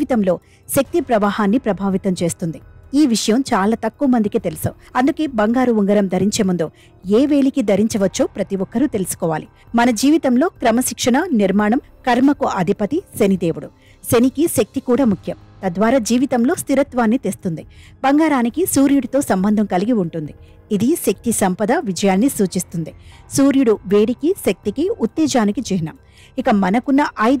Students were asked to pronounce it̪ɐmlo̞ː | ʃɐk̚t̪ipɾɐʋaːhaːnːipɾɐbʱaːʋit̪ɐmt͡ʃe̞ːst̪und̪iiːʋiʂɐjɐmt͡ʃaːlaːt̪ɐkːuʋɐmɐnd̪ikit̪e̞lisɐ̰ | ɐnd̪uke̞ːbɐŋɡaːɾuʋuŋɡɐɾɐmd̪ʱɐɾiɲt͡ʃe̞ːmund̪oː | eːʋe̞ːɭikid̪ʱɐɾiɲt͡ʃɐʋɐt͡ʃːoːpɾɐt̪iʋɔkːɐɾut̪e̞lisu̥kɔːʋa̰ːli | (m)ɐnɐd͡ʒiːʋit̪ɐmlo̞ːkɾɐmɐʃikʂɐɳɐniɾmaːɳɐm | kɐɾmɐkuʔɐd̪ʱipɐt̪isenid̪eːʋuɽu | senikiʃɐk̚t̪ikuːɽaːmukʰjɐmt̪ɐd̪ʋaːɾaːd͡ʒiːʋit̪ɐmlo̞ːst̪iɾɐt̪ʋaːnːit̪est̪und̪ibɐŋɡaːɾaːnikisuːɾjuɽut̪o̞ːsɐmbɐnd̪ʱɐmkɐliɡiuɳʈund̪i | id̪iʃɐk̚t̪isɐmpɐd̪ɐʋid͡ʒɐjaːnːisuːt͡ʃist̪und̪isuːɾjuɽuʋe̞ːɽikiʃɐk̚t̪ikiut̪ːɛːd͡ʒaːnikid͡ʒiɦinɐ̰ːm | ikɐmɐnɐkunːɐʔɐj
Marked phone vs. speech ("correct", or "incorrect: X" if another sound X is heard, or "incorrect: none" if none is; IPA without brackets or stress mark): correct